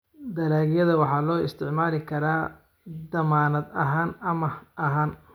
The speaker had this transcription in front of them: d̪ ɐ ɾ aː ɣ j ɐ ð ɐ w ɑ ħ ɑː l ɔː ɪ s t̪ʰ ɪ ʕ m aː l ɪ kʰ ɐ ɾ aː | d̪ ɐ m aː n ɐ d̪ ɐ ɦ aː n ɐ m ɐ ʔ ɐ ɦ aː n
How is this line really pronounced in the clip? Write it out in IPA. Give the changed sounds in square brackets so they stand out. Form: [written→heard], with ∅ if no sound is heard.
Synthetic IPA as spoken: d̪ ɐ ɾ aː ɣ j ɐ ð ɐ w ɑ ħ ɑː l ɔː ɪ s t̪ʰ ɪ ʕ m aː l ɪ kʰ ɐ ɾ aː | d̪ ɐ m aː n ɐ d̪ ɐ ɦ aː n ɐ m ɐ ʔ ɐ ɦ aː n